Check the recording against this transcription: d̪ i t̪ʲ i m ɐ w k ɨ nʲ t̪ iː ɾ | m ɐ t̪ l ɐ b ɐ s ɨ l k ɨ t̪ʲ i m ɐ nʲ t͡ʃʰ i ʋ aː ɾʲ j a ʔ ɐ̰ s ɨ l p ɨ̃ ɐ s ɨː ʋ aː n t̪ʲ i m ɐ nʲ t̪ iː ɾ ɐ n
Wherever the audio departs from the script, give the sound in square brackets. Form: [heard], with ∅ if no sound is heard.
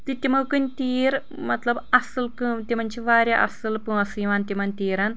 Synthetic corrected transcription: [t̪] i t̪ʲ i m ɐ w k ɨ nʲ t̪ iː ɾ | m ɐ t̪ l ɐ b ɐ s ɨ l k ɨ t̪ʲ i m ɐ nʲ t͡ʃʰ i ʋ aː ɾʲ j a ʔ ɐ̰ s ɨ l p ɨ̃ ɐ s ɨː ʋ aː n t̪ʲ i m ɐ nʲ t̪ iː ɾ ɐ n